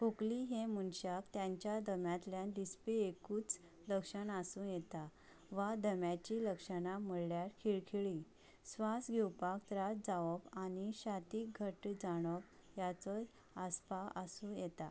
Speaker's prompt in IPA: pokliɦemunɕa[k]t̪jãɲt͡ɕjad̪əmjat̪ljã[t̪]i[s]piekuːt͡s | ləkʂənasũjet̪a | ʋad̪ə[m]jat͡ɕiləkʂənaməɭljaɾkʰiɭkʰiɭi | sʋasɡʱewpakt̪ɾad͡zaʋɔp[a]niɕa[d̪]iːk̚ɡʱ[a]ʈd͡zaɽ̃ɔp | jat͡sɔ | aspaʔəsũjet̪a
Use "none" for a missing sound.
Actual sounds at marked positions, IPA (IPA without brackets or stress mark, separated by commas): k, d̪, s, m, a, t̪, ə